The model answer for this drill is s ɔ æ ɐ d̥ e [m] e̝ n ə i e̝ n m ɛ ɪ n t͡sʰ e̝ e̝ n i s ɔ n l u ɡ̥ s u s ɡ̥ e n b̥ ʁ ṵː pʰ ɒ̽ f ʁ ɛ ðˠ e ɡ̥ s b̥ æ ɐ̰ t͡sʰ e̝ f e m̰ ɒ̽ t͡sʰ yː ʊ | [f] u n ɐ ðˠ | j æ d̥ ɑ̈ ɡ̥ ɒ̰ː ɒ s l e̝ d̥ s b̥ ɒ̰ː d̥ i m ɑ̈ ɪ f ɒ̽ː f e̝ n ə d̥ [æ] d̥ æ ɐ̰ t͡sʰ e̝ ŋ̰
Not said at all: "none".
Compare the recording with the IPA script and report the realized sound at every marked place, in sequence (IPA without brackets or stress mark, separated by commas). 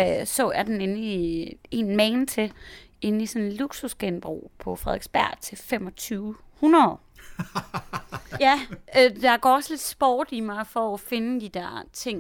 n, h, i